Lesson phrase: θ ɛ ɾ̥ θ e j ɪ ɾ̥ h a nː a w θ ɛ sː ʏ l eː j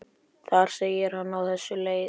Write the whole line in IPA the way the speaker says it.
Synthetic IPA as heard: θ a ɾ̥ s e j ɪ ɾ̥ h a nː a w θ ɛ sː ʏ l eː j